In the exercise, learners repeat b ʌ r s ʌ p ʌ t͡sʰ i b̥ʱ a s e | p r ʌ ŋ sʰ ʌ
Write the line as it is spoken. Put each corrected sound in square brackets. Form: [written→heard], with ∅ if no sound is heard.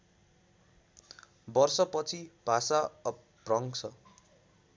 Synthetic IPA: b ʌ r s ʌ p ʌ t͡sʰ i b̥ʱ a s [e→a] | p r ʌ ŋ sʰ ʌ